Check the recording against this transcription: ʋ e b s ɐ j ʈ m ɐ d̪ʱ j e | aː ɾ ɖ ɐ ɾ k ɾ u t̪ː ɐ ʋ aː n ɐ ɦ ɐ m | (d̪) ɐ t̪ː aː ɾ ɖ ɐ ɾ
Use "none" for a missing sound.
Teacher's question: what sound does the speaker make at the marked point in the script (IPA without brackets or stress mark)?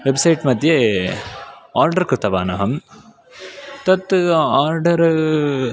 t̪